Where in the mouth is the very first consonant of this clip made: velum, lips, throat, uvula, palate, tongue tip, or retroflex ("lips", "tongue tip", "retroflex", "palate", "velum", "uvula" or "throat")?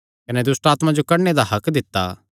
velum